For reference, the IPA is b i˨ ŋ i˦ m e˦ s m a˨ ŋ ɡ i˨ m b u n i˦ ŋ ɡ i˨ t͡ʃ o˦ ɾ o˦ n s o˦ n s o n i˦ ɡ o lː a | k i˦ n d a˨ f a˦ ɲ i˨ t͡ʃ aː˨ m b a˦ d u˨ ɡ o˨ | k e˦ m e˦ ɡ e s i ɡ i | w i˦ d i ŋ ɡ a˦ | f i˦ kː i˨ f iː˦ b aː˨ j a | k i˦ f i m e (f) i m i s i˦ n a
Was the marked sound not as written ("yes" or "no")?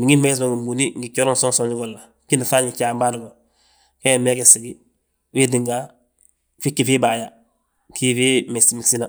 yes